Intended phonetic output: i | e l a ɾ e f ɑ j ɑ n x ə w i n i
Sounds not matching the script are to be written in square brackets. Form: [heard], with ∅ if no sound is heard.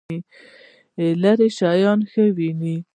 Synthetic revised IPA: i | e l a ɾ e [ʃ] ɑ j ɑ n x ə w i n i